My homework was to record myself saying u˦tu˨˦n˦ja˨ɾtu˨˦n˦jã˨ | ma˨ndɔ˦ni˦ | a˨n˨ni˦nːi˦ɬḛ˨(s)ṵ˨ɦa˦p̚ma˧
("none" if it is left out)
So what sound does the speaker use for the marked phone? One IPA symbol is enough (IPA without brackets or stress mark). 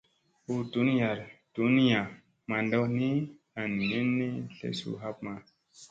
s